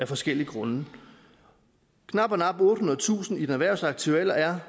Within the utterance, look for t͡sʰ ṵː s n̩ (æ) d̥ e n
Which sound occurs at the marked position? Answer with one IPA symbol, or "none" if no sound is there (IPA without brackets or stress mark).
i